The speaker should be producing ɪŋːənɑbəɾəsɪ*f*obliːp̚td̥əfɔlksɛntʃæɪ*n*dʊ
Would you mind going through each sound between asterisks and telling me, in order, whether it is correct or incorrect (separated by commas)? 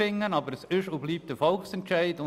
incorrect, incorrect